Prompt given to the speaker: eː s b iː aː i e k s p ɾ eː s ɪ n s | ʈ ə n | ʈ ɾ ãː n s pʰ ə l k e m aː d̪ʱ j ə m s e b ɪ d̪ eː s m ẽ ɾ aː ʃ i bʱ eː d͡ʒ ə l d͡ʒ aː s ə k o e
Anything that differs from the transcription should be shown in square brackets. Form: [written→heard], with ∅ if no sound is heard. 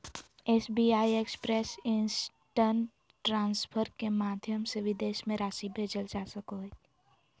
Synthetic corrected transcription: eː s b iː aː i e k s p ɾ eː s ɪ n s | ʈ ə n | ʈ ɾ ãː n s pʰ ə [l→ɾ] k e m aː d̪ʱ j ə m s e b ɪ d̪ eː [s→ʃ] m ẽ ɾ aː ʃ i bʱ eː d͡ʒ ə l d͡ʒ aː s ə k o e

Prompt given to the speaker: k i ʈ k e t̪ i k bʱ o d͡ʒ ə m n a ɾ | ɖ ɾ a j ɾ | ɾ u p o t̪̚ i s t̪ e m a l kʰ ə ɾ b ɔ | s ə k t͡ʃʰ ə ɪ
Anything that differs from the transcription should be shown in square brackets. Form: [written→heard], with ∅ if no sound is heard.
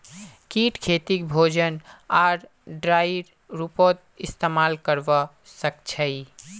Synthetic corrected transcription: k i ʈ [k→kʰ] e t̪ i k bʱ o d͡ʒ ə [m→∅] n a ɾ | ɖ ɾ a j ɾ | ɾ u p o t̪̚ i s t̪ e m a l [kʰ→k] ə ɾ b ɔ | s ə k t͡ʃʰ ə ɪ

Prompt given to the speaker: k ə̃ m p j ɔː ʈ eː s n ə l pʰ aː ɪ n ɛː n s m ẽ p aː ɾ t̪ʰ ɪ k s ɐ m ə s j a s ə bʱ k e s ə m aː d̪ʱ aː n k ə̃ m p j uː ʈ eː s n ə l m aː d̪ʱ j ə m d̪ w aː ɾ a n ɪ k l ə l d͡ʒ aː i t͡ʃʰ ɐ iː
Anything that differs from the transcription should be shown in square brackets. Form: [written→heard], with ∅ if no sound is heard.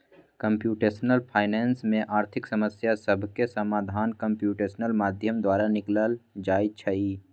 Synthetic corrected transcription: k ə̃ m p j [ɔː→uː] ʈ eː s n ə l pʰ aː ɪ n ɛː n s m ẽ [p→ʔ] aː ɾ t̪ʰ ɪ k s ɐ m ə s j a s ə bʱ k e s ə m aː d̪ʱ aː n k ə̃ m p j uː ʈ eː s n ə l m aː d̪ʱ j ə m d̪ w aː ɾ a n ɪ k l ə l d͡ʒ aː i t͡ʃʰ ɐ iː

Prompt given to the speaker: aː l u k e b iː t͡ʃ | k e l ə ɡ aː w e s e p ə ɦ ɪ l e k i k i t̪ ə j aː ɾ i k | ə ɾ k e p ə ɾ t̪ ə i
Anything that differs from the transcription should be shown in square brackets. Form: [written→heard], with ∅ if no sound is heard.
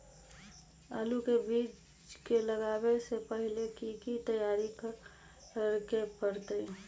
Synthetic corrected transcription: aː l u k e b iː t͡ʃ | k e l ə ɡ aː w e s e p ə ɦ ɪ l e k i k i t̪ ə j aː ɾ i k | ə ɾ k e p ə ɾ t̪ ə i

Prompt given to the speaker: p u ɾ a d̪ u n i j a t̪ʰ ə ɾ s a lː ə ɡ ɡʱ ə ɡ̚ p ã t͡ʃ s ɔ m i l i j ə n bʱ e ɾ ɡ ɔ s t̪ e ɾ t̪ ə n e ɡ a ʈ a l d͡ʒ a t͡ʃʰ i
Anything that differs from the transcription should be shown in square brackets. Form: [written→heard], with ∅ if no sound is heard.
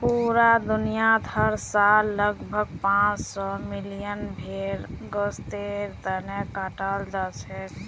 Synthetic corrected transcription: p u ɾ a d̪ u n i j a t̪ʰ ə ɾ s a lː ə ɡ [ɡʱ→bʱ] ə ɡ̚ p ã t͡ʃ s ɔ m i l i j ə n bʱ e ɾ ɡ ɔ s t̪ e ɾ t̪ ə n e [ɡ→k] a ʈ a l d͡ʒ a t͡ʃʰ [i→ɛ]

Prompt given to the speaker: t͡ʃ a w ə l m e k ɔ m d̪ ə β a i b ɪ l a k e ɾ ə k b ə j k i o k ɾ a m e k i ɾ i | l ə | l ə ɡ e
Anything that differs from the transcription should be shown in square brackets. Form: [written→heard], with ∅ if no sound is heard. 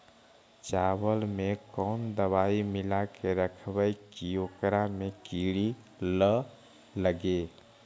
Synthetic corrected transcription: t͡ʃ a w ə l m e k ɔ [m→n] d̪ ə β a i [b→m] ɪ l a k e ɾ ə [k→kʰ] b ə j k i o k ɾ a m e k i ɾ i | l ə | l ə ɡ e

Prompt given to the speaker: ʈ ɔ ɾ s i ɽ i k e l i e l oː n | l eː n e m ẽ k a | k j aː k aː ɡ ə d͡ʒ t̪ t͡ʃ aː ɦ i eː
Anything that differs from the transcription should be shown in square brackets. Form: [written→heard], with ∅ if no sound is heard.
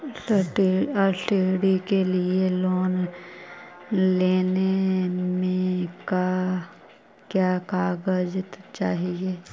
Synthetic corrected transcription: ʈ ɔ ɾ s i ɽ i k e l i e l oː n | l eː n e m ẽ k a | k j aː k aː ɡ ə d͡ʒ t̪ t͡ʃ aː ɦ i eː

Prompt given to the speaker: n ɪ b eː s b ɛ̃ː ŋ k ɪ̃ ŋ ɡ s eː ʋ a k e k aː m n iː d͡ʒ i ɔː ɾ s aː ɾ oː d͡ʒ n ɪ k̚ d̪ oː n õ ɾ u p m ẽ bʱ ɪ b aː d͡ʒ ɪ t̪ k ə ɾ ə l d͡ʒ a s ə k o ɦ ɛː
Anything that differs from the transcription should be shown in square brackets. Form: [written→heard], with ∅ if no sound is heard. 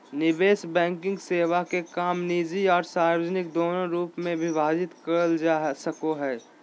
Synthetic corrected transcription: n ɪ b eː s b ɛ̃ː ŋ k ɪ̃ ŋ ɡ s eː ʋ a k e k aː m n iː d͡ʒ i ɔː ɾ s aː ɾ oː d͡ʒ n ɪ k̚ d̪ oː n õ ɾ [u→uː] p m ẽ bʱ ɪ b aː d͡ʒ ɪ t̪ k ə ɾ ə l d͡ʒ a s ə k o ɦ ɛː

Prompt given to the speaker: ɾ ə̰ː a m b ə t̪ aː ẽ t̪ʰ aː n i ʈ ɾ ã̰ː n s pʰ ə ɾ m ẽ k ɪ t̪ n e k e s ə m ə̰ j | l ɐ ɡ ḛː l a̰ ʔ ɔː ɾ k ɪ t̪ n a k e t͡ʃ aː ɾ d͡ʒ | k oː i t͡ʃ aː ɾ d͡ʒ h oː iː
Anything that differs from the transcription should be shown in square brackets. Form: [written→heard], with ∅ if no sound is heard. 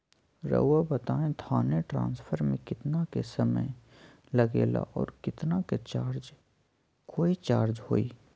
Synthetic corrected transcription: ɾ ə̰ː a [m→∅] b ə t̪ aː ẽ t̪ʰ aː n [i→e] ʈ ɾ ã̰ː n s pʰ ə ɾ m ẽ k ɪ t̪ n [e→a] k e s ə m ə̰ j | l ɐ ɡ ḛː l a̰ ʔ ɔː ɾ k ɪ t̪ n a k e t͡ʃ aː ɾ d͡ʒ | k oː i t͡ʃ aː ɾ d͡ʒ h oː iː

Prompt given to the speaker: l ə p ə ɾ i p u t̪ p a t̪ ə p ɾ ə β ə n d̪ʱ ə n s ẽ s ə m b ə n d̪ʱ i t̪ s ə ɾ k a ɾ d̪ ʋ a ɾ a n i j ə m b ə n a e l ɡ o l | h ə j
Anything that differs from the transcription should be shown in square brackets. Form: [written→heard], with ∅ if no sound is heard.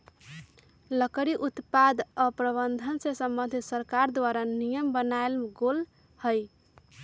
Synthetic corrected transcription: l ə [p→k] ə ɾ i [p→ʔ] u t̪ p a [t̪→d̪] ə p ɾ ə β ə n d̪ʱ ə n s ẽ s ə m b ə n d̪ʱ i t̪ s ə ɾ k a ɾ d̪ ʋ a ɾ a n i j ə m b ə n a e l ɡ o l | h ə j

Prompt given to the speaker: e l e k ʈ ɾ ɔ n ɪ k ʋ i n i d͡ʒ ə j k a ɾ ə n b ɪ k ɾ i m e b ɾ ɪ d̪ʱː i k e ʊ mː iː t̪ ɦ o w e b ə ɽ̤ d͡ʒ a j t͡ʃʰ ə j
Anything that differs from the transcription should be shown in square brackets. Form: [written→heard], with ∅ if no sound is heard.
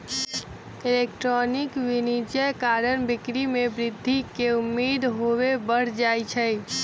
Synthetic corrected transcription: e l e k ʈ ɾ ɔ n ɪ k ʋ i n i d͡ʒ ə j k a ɾ ə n b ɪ k ɾ i m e b ɾ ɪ d̪ʱː i k e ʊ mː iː [t̪→d̪] ɦ o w e b ə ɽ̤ d͡ʒ a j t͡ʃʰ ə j

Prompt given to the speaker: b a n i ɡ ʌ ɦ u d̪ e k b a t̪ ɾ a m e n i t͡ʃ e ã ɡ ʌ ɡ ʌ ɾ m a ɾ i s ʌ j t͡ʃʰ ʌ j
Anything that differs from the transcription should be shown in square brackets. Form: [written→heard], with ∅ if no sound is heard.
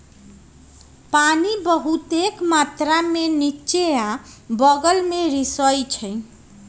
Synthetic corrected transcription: [b→p] a n i [ɡ→b] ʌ ɦ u [d̪→t̪] e k [b→m] a t̪ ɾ a m e n i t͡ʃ e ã [ɡ→b] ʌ ɡ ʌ [ɾ→l] m [a→e] ɾ i s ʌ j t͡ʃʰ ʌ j

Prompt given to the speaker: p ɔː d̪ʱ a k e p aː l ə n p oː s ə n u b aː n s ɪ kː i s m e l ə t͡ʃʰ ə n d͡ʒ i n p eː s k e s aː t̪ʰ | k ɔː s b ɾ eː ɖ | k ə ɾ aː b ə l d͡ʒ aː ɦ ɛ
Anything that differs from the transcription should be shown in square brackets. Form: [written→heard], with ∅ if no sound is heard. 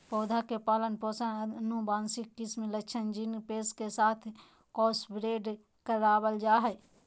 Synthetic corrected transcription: p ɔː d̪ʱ a k e p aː l ə n p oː s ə n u b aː n s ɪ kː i s m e l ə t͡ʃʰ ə n d͡ʒ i n p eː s k e s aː t̪ʰ | k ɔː s b ɾ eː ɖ | k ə ɾ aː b ə l d͡ʒ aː ɦ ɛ

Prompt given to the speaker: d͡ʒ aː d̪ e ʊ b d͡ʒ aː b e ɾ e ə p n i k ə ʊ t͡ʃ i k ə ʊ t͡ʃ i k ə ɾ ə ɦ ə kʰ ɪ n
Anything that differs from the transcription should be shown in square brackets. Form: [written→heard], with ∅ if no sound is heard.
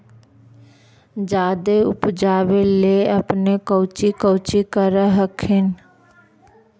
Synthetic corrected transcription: d͡ʒ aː d̪ e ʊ [b→p] d͡ʒ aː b e [ɾ→l] e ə p n [i→e] k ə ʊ t͡ʃ i k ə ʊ t͡ʃ i k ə ɾ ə ɦ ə kʰ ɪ n

